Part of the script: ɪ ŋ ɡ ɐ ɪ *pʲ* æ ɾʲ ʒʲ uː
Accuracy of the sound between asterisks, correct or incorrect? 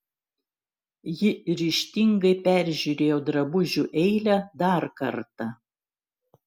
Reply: correct